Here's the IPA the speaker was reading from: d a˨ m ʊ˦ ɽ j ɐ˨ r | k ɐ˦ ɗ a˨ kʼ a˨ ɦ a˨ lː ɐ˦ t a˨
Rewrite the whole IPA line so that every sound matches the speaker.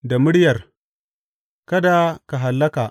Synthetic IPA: d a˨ m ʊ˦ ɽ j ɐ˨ r | k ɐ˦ d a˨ k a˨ ɦ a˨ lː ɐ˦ k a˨